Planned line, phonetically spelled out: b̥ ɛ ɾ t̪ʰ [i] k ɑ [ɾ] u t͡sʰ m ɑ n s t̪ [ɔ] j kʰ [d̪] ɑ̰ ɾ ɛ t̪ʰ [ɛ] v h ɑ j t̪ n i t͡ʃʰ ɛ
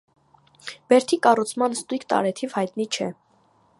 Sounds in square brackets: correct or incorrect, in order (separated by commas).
correct, incorrect, incorrect, incorrect, incorrect